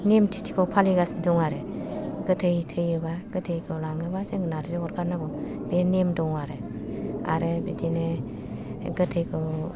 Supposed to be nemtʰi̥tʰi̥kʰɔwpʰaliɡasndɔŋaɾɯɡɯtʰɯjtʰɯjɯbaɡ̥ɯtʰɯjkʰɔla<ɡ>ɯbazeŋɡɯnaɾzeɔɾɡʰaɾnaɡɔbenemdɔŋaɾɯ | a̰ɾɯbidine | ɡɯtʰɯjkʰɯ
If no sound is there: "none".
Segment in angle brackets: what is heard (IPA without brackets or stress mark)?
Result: ŋ